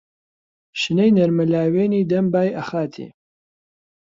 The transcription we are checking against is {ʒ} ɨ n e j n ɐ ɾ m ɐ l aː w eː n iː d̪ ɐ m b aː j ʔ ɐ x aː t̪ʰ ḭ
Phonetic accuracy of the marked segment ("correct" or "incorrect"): incorrect